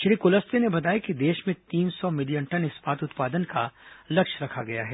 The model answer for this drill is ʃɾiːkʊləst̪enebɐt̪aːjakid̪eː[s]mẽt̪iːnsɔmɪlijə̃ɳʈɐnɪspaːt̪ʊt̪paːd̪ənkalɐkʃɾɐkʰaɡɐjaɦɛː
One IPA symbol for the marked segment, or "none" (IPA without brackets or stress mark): ʃ